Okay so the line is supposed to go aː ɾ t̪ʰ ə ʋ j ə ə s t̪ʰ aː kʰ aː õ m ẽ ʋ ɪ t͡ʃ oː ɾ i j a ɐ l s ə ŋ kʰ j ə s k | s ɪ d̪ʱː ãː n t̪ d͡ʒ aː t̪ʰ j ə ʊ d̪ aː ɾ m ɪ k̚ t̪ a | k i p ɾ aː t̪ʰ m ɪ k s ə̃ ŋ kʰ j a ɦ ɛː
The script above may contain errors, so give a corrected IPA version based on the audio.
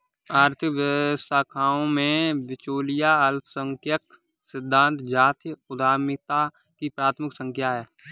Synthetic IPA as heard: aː ɾ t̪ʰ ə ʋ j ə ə s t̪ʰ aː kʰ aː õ m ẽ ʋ ɪ t͡ʃ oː l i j a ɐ l s ə ŋ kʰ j ə k | s ɪ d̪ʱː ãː n t̪ d͡ʒ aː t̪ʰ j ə ʊ d̪ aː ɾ m ɪ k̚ t̪ a | k i p ɾ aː t̪ʰ m ɪ k s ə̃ ŋ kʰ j a ɦ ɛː